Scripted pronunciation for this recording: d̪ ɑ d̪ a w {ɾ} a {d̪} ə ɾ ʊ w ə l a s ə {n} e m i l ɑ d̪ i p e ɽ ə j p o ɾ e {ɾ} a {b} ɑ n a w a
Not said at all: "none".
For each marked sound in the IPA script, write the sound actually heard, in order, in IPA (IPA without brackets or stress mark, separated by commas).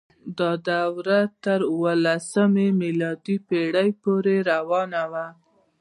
ɾ, t̪, m, ɾ, w